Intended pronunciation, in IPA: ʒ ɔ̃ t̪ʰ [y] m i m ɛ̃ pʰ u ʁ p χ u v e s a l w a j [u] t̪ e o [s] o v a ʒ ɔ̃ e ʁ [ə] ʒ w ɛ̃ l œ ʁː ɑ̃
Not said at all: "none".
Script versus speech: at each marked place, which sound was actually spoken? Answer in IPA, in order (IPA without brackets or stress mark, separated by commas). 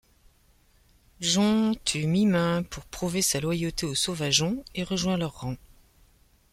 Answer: y, o, s, ə